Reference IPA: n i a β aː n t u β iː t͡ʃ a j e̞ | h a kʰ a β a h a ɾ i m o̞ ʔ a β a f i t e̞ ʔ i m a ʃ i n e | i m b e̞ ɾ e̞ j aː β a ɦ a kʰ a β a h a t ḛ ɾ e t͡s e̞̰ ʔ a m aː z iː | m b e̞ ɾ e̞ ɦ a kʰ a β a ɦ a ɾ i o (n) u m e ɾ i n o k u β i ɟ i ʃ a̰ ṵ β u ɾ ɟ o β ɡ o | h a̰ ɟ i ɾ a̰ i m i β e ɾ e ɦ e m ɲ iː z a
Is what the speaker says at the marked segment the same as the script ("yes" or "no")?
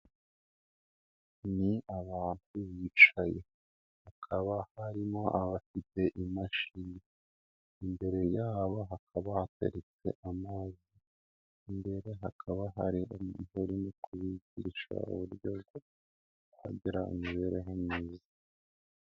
no